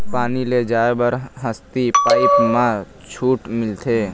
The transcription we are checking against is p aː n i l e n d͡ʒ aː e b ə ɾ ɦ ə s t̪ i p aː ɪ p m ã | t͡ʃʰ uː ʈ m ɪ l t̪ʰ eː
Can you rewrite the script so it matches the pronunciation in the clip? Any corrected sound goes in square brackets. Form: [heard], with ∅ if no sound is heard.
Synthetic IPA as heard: p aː n i l e [∅] d͡ʒ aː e b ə ɾ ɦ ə s t̪ i p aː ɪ p m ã | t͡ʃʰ uː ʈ m ɪ l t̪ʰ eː